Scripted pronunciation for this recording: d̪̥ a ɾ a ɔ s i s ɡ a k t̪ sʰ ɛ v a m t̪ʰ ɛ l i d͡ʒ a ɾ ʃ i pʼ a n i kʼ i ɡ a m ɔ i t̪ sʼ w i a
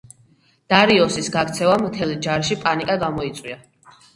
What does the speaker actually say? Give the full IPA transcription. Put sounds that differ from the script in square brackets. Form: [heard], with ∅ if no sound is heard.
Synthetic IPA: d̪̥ a ɾ [i] ɔ s i s ɡ a k t̪ sʰ ɛ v a m t̪ʰ ɛ l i d͡ʒ a ɾ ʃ i pʼ a n i kʼ [a] ɡ a m ɔ i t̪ sʼ w i a